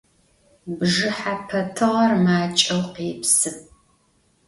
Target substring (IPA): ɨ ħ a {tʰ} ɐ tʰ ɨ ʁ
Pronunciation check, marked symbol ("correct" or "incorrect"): incorrect